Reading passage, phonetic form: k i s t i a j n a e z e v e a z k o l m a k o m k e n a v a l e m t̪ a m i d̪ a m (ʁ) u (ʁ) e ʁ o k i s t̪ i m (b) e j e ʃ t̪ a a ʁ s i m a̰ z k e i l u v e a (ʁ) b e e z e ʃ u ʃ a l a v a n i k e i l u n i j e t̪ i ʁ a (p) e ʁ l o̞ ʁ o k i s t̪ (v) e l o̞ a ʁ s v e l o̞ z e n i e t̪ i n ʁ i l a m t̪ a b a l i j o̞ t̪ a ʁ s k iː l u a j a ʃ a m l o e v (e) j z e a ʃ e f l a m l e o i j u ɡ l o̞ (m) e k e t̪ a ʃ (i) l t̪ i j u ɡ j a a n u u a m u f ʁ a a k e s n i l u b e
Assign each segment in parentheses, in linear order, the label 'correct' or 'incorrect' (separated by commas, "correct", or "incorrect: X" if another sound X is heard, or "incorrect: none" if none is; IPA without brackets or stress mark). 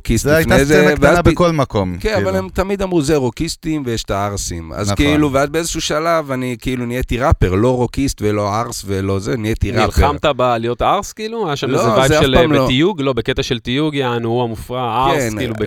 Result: correct, incorrect: z, incorrect: v, incorrect: z, correct, correct, incorrect: a, incorrect: b, incorrect: e